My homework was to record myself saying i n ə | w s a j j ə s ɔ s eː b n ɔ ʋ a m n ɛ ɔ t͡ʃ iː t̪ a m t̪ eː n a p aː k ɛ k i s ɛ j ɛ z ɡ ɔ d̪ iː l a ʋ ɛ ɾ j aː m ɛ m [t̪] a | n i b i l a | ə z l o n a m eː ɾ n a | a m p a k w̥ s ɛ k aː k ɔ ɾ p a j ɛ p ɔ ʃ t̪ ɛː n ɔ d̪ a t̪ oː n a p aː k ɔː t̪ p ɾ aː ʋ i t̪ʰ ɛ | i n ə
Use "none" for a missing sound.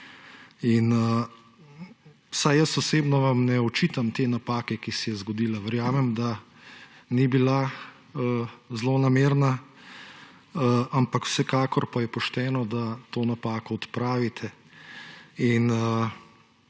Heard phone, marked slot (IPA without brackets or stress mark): d̪